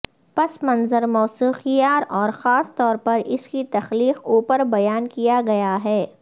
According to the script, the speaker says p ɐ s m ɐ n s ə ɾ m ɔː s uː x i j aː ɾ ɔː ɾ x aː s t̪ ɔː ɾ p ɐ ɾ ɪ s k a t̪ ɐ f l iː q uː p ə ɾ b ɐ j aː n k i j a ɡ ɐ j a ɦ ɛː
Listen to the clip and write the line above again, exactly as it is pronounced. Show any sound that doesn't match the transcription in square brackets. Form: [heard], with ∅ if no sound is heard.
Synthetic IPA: p ɐ s m ɐ n [z] ə ɾ m ɔː s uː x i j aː ɾ ɔː ɾ x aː s t̪ ɔː ɾ p ɐ ɾ ɪ s k [i] t̪ ɐ [x] l iː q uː p ə ɾ b ɐ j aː n k i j a ɡ ɐ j a ɦ ɛː